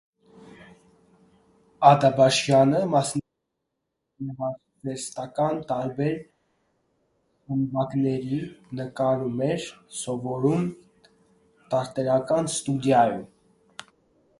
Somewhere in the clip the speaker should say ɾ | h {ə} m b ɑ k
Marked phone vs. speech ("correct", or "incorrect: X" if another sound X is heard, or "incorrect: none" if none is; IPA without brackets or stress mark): correct